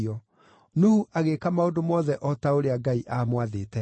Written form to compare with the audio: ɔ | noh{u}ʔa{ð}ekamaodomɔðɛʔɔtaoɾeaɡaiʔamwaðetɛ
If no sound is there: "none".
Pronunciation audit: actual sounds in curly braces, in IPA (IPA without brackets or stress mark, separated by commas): u, ɣ